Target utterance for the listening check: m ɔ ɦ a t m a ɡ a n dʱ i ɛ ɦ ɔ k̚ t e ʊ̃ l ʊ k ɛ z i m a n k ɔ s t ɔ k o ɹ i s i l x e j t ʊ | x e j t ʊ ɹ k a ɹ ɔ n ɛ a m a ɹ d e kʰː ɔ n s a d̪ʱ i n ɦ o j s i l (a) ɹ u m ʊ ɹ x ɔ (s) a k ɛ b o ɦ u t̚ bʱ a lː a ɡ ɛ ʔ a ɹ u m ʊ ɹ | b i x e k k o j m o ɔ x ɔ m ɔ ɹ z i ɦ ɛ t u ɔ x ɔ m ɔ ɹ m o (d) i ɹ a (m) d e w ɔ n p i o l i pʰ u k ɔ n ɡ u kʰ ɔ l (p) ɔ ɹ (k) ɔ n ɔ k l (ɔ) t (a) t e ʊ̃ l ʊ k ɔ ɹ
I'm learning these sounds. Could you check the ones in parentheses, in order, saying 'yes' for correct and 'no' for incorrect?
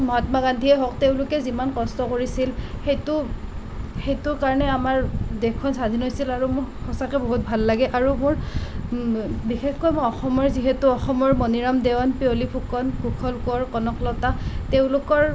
yes, yes, no, yes, no, yes, yes, yes

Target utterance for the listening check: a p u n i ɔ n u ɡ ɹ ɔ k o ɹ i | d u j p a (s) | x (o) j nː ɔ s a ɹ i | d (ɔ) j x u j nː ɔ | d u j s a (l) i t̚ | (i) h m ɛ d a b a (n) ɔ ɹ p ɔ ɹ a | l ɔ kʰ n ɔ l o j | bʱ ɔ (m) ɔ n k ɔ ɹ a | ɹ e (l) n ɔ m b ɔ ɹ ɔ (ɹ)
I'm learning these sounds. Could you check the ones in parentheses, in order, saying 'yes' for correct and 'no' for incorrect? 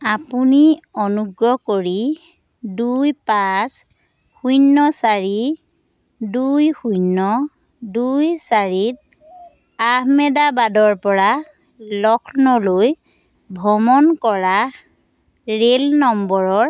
yes, no, no, no, no, no, yes, yes, yes

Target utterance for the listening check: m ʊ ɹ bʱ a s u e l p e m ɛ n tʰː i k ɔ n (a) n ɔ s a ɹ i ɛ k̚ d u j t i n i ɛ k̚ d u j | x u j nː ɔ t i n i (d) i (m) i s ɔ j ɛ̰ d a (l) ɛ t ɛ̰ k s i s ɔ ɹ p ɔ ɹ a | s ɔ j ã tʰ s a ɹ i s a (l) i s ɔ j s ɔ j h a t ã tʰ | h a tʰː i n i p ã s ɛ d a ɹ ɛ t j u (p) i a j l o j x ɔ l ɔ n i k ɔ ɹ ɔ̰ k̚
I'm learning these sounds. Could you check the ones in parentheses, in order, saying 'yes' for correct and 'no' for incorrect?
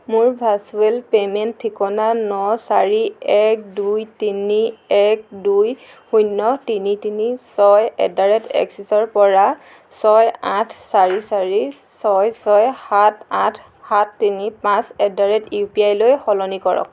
yes, no, no, no, no, yes

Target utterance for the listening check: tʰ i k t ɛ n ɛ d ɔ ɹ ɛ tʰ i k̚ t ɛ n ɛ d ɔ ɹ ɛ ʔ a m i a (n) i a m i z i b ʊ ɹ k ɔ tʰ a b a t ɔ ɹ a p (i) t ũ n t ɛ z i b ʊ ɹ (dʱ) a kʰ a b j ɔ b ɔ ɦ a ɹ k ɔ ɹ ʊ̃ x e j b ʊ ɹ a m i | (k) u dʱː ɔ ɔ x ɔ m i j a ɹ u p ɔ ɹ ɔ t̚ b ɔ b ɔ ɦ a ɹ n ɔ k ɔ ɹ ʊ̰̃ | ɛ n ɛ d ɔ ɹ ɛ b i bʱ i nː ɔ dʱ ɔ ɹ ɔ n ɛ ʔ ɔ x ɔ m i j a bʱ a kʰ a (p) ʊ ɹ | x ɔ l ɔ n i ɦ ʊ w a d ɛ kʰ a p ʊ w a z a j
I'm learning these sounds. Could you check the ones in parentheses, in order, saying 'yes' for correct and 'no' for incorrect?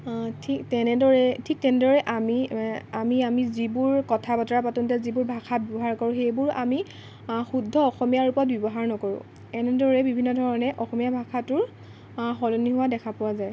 no, no, no, no, no

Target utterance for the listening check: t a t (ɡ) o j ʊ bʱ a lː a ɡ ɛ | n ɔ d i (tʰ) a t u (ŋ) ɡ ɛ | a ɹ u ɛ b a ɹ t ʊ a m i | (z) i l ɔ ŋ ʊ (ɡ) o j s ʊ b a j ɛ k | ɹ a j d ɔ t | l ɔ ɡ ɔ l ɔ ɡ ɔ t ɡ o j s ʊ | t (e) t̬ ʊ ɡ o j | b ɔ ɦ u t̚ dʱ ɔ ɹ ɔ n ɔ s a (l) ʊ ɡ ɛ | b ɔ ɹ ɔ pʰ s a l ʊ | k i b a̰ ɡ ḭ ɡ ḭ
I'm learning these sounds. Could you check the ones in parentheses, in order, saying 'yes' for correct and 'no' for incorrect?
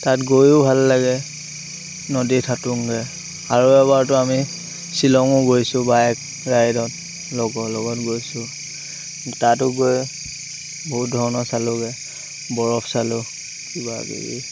yes, yes, yes, no, yes, no, yes

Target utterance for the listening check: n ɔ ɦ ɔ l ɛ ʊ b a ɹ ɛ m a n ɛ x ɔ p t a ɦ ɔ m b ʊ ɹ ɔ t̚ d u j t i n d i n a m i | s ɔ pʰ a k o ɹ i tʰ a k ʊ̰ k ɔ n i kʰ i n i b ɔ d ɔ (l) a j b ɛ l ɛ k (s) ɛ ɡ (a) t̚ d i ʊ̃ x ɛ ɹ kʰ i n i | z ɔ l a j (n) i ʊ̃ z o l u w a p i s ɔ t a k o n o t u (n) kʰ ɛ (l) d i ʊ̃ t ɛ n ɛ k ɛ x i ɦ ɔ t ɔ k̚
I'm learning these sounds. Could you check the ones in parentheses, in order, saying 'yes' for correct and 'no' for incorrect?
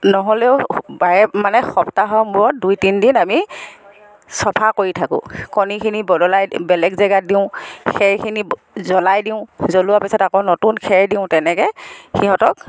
yes, no, yes, no, yes, no

